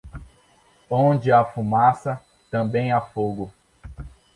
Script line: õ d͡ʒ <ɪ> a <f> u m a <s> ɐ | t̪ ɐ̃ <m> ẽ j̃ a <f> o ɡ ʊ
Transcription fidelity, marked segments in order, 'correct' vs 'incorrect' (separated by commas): correct, correct, correct, incorrect, correct